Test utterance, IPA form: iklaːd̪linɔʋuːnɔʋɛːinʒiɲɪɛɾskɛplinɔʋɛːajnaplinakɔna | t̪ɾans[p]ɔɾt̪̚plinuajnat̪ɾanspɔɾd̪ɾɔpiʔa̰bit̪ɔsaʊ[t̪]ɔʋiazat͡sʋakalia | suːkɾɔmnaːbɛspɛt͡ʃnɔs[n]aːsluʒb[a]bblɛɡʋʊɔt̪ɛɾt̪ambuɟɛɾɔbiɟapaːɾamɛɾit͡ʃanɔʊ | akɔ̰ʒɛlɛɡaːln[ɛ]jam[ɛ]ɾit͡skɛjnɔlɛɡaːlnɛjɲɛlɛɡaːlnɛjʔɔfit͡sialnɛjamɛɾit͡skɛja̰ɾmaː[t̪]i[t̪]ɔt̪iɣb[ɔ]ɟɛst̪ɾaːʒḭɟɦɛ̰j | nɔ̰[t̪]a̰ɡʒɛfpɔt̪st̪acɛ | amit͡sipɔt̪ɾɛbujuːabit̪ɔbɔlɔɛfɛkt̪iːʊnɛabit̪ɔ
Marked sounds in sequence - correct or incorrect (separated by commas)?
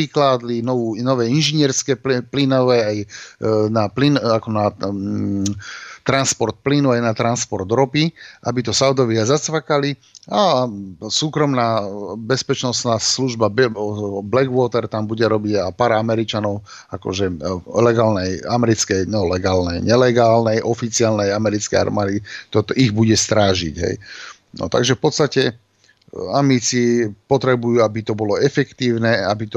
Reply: correct, incorrect, correct, correct, correct, correct, incorrect, correct, incorrect, correct